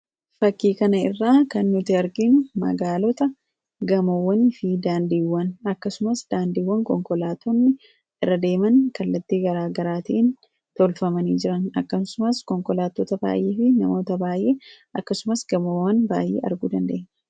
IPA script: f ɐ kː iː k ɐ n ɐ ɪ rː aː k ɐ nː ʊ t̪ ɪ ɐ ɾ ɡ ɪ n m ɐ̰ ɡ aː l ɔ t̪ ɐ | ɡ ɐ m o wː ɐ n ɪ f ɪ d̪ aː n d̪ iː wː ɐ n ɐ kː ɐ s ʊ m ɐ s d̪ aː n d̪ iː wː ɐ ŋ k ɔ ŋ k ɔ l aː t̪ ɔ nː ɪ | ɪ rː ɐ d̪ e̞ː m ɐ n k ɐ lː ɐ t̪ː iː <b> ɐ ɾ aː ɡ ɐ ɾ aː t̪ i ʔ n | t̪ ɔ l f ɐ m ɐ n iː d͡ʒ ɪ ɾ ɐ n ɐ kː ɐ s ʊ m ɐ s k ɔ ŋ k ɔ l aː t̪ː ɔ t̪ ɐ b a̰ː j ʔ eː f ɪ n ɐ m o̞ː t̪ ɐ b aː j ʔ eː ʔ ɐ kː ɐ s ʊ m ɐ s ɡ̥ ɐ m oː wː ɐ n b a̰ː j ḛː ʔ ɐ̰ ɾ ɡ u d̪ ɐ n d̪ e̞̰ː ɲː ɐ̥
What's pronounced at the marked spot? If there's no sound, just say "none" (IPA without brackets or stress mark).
ɡ